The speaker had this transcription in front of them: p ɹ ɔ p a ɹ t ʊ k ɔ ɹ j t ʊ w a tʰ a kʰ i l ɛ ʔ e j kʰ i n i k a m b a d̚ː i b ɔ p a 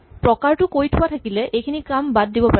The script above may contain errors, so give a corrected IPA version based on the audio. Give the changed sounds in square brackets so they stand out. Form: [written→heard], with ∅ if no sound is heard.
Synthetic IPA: p ɹ ɔ [p→k] a ɹ t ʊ k [ɔ→o] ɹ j [t→tʰ] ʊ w a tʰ a [kʰ→k] i l ɛ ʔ e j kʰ i n i k a m b a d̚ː i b ɔ p a